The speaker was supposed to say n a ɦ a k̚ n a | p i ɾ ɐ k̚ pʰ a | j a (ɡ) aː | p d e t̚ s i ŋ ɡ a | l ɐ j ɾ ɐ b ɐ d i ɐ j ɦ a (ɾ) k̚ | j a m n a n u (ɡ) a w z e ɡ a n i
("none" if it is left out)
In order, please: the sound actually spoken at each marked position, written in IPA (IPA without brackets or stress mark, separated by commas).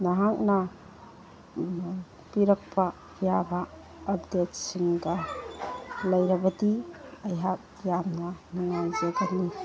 b, none, ŋ